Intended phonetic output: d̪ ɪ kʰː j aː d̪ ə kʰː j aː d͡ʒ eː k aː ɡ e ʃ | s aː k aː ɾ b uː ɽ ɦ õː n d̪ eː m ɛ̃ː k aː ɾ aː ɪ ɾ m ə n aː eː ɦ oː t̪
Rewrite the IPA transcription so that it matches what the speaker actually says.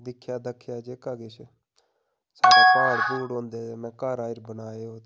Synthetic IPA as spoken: d̪ ɪ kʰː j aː d̪ ə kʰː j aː d͡ʒ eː k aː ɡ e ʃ | s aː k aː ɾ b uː ɽ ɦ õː n d̪ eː m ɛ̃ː k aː ɾ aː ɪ ɾ b ə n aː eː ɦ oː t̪